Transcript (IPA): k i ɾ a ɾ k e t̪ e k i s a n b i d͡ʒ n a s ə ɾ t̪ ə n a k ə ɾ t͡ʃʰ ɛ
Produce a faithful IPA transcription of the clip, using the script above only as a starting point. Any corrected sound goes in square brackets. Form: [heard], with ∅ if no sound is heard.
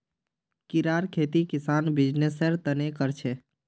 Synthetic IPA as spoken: k i ɾ a ɾ [kʰ] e t̪ [i] k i s a n b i d͡ʒ n [e] s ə ɾ t̪ ə n [e] k ə ɾ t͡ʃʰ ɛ